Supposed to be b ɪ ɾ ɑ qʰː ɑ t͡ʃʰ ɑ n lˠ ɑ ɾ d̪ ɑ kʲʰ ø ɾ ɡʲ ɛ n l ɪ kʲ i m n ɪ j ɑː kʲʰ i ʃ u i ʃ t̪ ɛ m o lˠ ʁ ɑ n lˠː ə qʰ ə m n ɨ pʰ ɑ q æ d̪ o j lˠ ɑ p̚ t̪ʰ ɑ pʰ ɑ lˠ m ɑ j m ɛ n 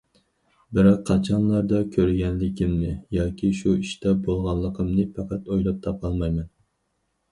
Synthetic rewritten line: b ɪ ɾ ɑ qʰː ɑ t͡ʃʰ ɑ n lˠ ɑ ɾ d̪ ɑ kʲʰ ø ɾ ɡʲ ɛ n l ɪ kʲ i m n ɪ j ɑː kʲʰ i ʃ u i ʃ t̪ ɛ b o lˠ ʁ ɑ n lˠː ə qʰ ə m n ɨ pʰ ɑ q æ t̪ o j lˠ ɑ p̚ t̪ʰ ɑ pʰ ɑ lˠ m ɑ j m ɛ n